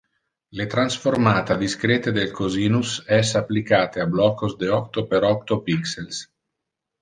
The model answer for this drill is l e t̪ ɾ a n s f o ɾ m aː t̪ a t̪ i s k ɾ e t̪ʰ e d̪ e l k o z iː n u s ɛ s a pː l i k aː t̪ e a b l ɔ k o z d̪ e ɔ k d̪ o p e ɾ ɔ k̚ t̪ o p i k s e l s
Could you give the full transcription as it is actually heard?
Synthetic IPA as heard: l e t̪ ɾ a n s f o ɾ m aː t̪ a d̪ i s k ɾ e t̪ e d̪ e l k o z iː n u s ɛ s a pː l i k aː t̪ e a b l ɔ k o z d̪ e ɔ k t̪ o p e ɾ ɔ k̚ t̪ o p i k s e l s